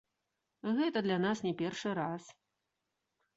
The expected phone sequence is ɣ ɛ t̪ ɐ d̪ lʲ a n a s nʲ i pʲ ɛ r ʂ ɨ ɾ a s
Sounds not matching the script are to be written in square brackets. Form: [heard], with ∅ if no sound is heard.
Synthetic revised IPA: ɣ ɛ t̪ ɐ d̪ lʲ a n a s nʲ [ɛ] pʲ ɛ r ʂ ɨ ɾ a s